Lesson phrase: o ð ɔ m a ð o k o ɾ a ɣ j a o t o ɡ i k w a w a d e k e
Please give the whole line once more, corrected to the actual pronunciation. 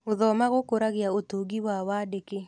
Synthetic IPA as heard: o ð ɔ m a ɣ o k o ɾ a ɣ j a o t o ɡ i w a w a d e k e